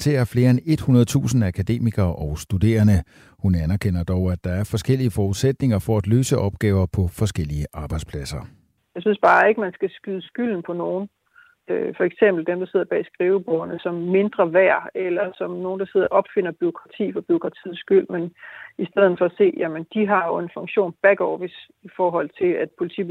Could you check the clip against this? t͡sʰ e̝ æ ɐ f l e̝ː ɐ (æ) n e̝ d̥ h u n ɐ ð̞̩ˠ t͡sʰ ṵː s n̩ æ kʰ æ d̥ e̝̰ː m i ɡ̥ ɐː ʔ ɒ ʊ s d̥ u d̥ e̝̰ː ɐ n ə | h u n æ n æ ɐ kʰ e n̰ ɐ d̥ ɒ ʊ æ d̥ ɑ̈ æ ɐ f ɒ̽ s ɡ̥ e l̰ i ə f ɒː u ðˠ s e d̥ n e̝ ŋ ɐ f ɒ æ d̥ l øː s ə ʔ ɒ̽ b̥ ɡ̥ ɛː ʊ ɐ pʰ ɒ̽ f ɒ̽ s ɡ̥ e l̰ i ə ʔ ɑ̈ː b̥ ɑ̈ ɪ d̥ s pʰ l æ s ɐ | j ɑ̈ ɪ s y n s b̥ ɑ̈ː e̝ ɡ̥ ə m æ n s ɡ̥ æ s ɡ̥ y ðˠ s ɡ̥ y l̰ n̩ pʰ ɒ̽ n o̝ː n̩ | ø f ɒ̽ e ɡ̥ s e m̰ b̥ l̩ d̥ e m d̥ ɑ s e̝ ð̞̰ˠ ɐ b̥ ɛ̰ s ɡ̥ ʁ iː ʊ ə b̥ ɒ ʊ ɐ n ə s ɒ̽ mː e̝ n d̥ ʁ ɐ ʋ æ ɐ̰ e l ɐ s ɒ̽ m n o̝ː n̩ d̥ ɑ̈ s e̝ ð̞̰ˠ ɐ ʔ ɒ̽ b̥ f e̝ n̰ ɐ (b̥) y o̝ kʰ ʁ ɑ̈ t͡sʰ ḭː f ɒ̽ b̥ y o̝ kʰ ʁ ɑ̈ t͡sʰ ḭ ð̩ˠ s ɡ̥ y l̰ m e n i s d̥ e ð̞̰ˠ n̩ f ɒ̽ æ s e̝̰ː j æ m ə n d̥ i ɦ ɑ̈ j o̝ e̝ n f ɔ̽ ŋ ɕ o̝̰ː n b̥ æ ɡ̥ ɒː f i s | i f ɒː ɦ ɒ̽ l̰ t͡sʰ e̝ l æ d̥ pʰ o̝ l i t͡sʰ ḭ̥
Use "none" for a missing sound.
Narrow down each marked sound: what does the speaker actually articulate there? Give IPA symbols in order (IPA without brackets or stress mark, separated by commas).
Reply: e, b̥